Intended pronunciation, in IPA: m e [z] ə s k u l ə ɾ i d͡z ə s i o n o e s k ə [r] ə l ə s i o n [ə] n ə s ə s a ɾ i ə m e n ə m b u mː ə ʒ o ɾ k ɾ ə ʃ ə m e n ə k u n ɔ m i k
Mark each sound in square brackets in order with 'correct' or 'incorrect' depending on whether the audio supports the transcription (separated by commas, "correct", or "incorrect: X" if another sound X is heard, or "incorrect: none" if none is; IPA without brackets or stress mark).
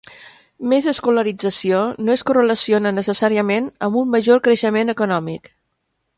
correct, correct, correct